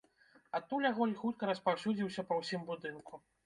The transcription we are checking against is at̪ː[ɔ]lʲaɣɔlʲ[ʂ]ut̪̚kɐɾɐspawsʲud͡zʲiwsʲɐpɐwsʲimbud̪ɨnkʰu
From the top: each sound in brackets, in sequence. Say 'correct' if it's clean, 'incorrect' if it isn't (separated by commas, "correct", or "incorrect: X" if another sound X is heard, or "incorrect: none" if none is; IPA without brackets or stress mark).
incorrect: u, incorrect: x